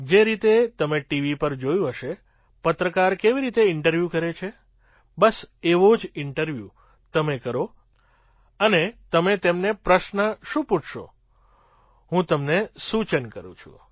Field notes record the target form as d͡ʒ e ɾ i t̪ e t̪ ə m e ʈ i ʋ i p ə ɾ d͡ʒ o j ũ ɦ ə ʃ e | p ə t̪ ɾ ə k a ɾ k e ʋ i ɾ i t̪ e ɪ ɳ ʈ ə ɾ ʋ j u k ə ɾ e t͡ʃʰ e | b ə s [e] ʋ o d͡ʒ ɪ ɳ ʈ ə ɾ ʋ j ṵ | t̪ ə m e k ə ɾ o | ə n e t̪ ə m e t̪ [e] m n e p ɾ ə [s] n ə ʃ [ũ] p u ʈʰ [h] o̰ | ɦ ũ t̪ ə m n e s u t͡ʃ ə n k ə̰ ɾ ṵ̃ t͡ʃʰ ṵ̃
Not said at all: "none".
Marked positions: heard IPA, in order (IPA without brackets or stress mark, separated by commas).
e, e, ʃ, ũ, ʃ